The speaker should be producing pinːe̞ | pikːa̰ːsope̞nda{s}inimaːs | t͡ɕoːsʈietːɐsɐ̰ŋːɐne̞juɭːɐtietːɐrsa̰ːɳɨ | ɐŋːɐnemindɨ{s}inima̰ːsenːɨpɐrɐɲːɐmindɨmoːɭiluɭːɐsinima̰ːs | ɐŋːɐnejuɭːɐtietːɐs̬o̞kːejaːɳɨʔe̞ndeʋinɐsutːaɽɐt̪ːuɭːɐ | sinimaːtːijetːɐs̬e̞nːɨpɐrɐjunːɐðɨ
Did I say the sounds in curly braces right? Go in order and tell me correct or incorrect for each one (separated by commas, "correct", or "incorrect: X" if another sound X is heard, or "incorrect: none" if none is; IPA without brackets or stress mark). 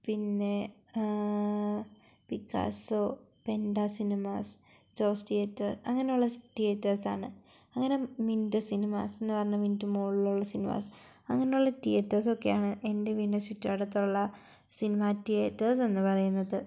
correct, correct